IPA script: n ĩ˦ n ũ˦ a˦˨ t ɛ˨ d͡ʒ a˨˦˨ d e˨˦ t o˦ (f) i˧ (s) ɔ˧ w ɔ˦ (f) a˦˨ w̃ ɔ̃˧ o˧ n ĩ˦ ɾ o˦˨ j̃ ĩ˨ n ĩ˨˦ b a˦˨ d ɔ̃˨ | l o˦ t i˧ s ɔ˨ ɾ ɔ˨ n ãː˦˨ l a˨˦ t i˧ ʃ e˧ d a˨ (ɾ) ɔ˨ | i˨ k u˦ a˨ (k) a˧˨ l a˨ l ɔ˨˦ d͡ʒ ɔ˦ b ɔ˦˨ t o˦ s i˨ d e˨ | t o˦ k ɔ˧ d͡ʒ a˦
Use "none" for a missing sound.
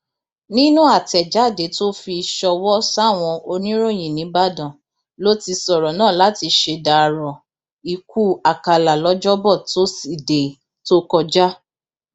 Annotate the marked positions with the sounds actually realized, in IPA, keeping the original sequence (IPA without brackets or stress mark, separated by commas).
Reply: f, ʃ, s, ɾ, k